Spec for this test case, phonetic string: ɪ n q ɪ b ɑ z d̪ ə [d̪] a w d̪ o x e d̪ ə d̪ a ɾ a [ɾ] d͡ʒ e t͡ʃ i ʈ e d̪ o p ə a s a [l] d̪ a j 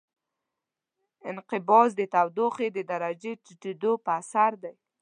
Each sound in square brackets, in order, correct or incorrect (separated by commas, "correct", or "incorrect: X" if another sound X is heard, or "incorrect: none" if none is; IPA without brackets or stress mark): incorrect: t̪, incorrect: none, incorrect: ɾ